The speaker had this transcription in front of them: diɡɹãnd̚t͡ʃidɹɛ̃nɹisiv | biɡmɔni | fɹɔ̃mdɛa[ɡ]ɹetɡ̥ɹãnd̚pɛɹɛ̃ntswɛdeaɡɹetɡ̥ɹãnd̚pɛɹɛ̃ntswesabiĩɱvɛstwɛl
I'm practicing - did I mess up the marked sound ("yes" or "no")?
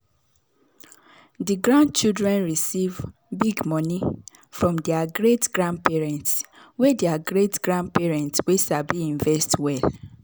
no